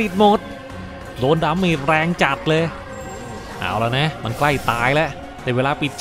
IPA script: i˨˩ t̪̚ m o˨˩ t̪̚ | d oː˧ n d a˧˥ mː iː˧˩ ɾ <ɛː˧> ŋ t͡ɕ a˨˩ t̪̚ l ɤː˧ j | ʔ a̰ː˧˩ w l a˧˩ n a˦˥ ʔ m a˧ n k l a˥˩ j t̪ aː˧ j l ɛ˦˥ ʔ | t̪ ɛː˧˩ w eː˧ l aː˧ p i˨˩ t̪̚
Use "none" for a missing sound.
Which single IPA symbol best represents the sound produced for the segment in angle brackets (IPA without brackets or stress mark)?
ɛː˧